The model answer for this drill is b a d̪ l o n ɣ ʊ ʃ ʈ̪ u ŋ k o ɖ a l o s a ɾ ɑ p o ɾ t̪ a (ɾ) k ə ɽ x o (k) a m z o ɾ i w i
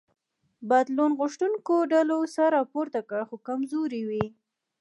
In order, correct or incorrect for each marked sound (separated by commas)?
incorrect, correct